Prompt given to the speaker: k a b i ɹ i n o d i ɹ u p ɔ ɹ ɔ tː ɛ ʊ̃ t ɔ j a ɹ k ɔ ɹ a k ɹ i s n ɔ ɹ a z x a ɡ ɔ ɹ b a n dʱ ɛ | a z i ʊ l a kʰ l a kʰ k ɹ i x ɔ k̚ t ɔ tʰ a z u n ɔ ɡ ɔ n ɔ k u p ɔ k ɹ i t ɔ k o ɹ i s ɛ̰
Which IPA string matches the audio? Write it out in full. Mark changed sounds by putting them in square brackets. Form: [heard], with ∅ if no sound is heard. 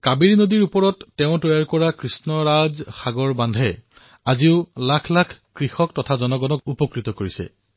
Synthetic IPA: k a b i ɹ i n o d i ɹ u p ɔ ɹ ɔ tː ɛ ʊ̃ t ɔ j a ɹ k ɔ ɹ a k ɹ i s n ɔ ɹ a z x a ɡ ɔ ɹ b a n dʱ ɛ | a z i ʊ l a kʰ l a kʰ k ɹ i x ɔ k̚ t ɔ tʰ a z [ɔ] n ɔ ɡ ɔ n ɔ k u p ɔ k ɹ i t ɔ k o ɹ i s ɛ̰